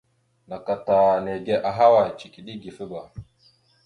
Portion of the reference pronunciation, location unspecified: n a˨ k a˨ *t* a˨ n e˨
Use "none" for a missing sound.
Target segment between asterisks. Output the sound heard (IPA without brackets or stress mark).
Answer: t